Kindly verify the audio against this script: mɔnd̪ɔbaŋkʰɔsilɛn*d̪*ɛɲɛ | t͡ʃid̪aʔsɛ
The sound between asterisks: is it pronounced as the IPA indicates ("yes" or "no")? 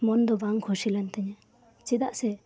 no